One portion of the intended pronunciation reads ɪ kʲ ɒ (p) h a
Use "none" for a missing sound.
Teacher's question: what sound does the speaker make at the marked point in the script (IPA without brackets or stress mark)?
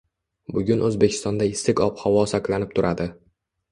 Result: p